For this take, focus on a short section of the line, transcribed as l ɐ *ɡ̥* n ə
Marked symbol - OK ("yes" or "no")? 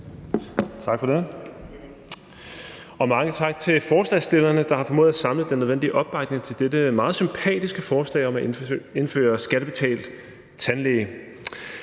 no